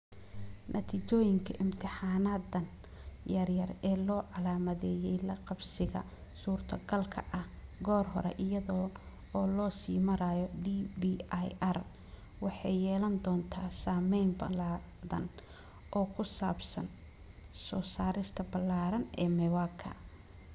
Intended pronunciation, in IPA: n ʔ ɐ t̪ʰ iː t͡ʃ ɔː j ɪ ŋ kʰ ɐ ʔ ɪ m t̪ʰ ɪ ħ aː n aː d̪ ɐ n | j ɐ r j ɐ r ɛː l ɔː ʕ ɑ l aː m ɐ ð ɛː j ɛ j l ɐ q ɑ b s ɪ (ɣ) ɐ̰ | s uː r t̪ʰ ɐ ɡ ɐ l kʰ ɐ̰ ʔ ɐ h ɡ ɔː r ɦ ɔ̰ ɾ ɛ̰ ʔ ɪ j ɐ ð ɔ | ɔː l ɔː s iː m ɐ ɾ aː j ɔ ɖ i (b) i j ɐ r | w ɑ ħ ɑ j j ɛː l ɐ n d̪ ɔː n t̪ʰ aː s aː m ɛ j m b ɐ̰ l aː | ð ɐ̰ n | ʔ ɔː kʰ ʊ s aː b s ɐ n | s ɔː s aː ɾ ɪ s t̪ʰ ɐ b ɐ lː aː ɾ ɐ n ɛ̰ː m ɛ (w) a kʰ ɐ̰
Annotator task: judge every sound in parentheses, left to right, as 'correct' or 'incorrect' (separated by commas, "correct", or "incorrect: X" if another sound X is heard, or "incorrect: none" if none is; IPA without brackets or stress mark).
correct, correct, correct